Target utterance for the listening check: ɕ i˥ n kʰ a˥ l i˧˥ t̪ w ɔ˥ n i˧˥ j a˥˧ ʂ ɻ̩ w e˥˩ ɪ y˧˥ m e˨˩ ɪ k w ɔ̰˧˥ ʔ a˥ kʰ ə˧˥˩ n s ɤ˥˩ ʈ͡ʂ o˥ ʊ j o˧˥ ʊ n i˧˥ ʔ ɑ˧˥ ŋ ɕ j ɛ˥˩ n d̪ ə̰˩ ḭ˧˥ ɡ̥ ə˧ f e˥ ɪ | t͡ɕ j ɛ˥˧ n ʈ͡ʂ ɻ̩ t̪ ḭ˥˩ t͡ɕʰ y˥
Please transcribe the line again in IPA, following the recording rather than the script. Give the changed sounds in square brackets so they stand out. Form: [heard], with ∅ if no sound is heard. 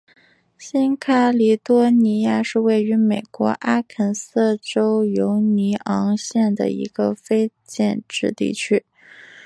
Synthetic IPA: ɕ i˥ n kʰ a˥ l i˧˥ t̪ w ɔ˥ n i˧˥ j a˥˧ ʂ ɻ̩ w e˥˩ ɪ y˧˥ m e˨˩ ɪ k w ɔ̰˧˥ ʔ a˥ kʰ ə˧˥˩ n s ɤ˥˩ ʈ͡ʂ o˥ ʊ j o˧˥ ʊ n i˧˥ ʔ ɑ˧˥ ŋ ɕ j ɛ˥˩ n d̪ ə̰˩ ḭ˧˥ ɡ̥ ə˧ f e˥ ɪ | t͡ɕ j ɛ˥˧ n ʈ͡ʂ ɻ̩ t̪ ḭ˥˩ t͡ɕʰ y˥